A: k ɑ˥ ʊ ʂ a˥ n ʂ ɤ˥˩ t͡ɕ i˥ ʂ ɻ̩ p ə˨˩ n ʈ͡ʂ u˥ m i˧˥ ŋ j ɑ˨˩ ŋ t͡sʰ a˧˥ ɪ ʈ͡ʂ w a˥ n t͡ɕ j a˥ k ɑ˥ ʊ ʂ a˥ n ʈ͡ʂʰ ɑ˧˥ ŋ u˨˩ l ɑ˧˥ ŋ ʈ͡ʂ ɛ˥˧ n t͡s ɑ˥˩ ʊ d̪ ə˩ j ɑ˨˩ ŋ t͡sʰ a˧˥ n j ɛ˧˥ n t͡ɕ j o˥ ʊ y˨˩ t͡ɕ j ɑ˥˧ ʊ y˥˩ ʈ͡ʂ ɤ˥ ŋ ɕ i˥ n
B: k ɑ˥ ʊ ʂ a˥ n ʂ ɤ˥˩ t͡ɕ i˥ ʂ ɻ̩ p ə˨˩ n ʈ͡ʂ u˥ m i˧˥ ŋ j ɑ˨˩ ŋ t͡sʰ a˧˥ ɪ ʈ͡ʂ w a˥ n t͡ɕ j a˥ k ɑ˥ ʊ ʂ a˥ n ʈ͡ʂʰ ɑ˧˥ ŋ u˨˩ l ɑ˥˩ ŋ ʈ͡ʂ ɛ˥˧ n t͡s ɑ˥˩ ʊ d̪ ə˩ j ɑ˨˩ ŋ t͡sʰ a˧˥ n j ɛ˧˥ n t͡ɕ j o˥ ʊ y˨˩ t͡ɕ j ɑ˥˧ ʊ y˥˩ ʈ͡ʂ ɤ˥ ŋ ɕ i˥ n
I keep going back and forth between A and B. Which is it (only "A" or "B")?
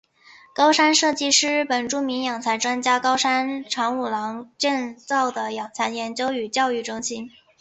A